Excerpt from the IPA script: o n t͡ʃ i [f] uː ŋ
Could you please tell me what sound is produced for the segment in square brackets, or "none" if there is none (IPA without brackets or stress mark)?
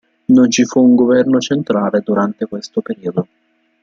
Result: f